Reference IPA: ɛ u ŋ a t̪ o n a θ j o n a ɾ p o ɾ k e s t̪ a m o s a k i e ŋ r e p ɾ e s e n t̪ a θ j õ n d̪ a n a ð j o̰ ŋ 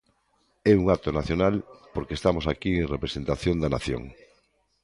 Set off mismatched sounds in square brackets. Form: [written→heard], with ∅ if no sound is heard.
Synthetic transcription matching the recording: ɛ u ŋ a t̪ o n a θ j o n a [ɾ→l] p o ɾ k e s t̪ a m o s a k i e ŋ r e p ɾ e s e n t̪ a θ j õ n d̪ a n a [ð→θ] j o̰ ŋ